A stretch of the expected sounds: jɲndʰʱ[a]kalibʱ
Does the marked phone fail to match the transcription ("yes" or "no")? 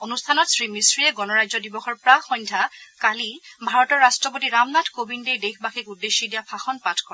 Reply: no